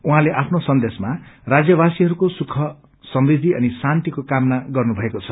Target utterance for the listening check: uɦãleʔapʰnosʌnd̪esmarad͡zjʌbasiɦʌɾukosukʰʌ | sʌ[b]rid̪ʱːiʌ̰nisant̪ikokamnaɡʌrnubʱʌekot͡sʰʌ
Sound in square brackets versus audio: incorrect: m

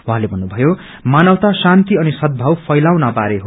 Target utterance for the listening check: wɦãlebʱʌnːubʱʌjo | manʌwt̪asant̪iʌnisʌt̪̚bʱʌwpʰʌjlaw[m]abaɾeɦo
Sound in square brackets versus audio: incorrect: n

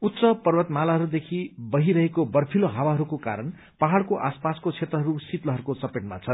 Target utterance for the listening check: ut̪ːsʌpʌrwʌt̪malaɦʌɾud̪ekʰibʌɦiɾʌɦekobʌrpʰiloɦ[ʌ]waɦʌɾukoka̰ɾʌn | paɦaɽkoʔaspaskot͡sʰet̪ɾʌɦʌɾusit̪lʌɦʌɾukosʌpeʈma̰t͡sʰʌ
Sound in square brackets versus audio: incorrect: a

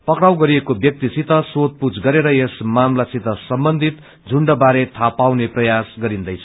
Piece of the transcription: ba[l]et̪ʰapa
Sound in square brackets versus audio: incorrect: ɾ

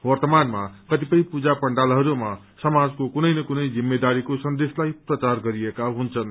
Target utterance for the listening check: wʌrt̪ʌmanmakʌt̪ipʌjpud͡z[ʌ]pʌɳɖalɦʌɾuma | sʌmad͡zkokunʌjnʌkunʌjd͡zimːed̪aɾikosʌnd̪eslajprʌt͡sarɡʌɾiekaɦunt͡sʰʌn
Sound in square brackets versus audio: incorrect: a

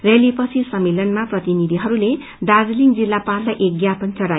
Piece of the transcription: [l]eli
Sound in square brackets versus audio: incorrect: r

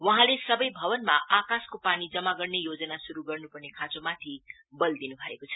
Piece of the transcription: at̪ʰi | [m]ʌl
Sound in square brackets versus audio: incorrect: b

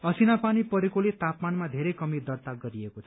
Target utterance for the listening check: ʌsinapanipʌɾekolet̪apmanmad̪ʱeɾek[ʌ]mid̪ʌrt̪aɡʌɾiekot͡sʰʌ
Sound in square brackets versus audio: correct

